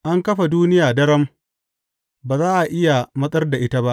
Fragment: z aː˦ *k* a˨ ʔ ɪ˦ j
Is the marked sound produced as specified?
no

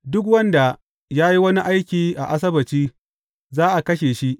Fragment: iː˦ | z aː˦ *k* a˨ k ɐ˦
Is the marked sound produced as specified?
no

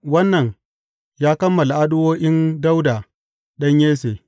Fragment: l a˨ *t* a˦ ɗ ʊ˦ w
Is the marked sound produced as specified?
no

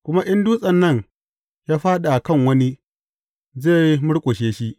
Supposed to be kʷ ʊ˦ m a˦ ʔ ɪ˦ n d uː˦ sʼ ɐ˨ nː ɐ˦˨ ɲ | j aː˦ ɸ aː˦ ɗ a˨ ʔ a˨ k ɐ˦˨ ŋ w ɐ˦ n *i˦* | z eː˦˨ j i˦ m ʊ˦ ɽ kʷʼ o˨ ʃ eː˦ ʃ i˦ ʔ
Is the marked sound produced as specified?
yes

